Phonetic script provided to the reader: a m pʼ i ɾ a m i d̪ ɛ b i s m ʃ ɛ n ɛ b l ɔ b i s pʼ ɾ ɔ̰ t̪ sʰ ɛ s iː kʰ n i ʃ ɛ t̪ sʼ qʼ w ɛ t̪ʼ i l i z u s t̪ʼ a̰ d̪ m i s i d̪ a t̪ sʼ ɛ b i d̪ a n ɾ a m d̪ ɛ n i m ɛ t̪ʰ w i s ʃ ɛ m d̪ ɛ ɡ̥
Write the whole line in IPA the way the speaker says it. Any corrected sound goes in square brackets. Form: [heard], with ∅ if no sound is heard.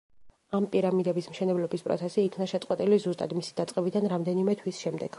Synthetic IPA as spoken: a m pʼ i ɾ a m i d̪ ɛ b i s m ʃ ɛ n ɛ b l ɔ b i s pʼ ɾ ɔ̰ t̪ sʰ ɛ s iː kʰ n [a] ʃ ɛ t̪ sʼ qʼ w ɛ t̪ʼ i l i z u s t̪ʼ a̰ d̪ m i s i d̪ a t̪ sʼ ɛ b i d̪ a n ɾ a m d̪ ɛ n i m ɛ t̪ʰ w i s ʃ ɛ m d̪ ɛ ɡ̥